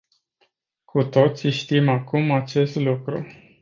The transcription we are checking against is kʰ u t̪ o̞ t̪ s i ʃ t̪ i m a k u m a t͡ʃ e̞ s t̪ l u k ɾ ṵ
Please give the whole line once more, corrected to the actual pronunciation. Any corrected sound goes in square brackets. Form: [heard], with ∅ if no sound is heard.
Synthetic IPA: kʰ u t̪ o̞ t̪ s i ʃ t̪ i m a k u m a t͡ʃ e̞ s t̪ l u k ɾ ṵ